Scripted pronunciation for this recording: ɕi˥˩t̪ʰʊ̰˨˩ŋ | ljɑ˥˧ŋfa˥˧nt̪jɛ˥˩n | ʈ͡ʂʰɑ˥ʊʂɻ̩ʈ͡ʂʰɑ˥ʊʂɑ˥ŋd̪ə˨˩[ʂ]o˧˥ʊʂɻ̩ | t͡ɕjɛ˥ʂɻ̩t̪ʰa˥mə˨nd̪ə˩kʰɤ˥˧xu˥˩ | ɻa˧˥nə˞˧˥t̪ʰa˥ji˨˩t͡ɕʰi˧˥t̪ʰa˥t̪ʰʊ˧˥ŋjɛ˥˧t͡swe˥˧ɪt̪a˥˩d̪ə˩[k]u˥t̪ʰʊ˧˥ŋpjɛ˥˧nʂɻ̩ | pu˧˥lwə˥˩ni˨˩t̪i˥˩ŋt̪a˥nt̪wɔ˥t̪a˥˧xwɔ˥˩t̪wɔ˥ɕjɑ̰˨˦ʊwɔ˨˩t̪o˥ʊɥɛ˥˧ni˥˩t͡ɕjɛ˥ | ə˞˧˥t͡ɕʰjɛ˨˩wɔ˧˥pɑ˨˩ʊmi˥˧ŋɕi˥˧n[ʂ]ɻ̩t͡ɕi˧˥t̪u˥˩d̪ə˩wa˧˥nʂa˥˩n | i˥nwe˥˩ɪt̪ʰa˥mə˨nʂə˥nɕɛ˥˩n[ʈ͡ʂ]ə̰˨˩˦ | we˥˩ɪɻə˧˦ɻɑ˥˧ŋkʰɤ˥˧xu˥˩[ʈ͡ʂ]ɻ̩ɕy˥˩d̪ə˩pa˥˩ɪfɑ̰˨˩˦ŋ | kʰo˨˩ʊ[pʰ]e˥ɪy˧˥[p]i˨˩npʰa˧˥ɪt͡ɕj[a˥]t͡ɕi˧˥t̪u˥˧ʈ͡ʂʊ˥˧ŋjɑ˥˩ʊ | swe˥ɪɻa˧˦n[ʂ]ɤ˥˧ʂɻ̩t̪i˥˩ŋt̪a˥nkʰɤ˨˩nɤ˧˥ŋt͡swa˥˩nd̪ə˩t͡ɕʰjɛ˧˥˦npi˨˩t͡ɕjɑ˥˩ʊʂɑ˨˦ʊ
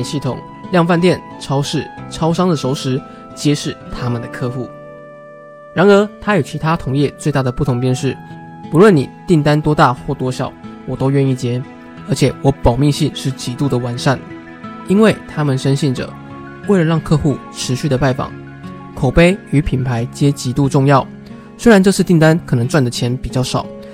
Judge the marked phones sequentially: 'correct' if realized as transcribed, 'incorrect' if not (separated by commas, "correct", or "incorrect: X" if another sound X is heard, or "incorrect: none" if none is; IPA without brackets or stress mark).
correct, incorrect: p, correct, correct, incorrect: ʈ͡ʂʰ, incorrect: p, incorrect: pʰ, incorrect: ɛ˥, incorrect: ʈ͡ʂ